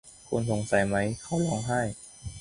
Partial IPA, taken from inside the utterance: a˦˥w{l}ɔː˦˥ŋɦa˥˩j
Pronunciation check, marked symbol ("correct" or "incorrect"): correct